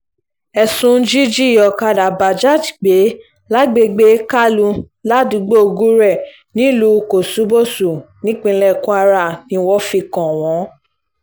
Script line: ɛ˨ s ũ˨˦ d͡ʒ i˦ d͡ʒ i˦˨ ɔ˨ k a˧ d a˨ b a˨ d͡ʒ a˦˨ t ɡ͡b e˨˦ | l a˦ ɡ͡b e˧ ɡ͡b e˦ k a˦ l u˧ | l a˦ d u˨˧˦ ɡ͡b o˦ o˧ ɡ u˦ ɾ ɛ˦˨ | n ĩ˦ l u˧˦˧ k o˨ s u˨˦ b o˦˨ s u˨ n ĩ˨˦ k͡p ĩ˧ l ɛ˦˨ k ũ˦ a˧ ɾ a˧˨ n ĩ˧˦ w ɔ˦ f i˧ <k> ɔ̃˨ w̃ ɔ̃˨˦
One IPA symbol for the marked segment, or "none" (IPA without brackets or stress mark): k